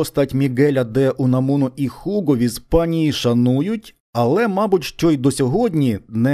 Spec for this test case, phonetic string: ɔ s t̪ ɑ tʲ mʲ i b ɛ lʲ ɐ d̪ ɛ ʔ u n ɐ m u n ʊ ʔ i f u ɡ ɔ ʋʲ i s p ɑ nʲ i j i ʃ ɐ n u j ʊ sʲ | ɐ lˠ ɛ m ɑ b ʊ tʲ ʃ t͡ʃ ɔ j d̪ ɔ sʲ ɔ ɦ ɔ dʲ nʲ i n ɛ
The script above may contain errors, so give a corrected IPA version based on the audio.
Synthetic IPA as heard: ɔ s t̪ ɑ tʲ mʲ i ɡ ɛ lʲ ɐ d̪ ɛ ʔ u n ɐ m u n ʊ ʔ i x u ɡ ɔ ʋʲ i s p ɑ nʲ i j i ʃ ɐ n u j ʊ tʲ | ɐ lˠ ɛ m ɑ b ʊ tʲ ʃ t͡ʃ ɔ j d̪ ɔ sʲ ɔ ɦ ɔ dʲ nʲ i n ɛ